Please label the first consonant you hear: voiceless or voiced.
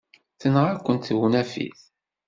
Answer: voiceless